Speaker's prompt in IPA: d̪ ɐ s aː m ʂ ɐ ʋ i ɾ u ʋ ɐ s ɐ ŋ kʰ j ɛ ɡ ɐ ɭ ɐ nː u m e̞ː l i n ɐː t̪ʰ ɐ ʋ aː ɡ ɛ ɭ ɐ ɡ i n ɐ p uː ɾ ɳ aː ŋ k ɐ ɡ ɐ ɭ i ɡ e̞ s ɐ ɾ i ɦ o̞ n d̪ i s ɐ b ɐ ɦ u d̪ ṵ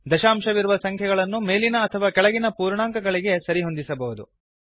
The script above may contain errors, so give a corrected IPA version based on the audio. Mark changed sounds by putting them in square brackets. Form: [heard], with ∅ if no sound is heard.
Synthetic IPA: d̪ ɐ [ʃ] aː m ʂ ɐ ʋ i ɾ u ʋ ɐ s ɐ ŋ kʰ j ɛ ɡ ɐ ɭ ɐ nː u m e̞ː l i n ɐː t̪ʰ ɐ ʋ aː [k] ɛ ɭ ɐ ɡ i n ɐ p uː ɾ ɳ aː ŋ k ɐ ɡ ɐ ɭ i ɡ e̞ s ɐ ɾ i ɦ o̞ n d̪ i s ɐ b ɐ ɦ u d̪ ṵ